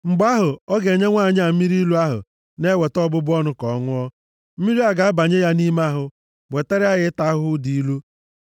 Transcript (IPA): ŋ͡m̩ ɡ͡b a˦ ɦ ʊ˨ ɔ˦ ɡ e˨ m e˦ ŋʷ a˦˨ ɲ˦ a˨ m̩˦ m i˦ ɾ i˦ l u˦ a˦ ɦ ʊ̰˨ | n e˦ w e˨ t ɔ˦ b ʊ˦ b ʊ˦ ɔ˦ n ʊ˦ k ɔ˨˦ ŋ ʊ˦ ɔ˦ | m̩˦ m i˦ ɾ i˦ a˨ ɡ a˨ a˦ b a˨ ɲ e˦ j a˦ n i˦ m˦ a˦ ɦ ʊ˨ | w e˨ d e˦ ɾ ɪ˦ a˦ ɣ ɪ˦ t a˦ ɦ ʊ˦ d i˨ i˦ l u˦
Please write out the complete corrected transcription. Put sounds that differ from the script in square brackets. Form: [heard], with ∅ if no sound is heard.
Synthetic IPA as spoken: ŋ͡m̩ ɡ͡b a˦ ɦ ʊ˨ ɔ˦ ɡ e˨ [ɲ] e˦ ŋʷ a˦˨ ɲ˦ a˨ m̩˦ m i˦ ɾ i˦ l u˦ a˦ ɦ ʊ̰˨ | n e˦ w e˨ t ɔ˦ b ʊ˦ b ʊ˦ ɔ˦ n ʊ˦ k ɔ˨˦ ŋ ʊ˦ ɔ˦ | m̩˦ m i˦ ɾ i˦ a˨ ɡ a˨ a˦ b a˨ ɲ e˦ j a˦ n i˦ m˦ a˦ ɦ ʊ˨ | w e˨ [t] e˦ ɾ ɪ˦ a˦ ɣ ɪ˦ t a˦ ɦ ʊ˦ d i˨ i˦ l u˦